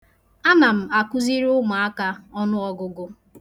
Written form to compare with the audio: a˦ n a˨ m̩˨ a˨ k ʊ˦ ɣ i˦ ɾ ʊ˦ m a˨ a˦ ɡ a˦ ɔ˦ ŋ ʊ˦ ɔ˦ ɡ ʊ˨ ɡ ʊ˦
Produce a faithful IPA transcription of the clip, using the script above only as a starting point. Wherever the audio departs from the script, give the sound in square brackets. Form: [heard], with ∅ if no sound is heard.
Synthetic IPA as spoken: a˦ n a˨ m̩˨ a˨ k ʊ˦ [z] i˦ ɾ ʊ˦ m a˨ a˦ [k] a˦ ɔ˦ [n] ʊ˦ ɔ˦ ɡ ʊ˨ ɡ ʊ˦

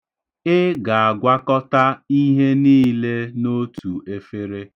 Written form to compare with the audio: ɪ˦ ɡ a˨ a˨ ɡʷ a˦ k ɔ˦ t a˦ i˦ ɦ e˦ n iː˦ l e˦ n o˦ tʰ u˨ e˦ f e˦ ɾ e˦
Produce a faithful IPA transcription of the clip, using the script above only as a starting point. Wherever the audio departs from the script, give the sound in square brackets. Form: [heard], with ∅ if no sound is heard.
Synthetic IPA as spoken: ɪ˦ ɡ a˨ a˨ ɡʷ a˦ k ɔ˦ t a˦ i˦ ɦ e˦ n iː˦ l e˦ n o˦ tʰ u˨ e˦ f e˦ ɾ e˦

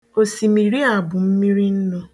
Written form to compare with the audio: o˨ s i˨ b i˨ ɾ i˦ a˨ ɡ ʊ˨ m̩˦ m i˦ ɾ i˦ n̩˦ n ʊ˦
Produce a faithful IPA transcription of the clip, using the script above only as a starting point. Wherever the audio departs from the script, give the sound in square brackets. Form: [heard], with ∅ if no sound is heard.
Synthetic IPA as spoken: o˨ s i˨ [m] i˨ ɾ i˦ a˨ [b] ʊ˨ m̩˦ m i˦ ɾ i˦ n̩˦ n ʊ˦

